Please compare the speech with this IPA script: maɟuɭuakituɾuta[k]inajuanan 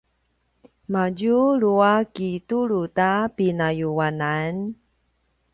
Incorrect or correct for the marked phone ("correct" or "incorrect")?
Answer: incorrect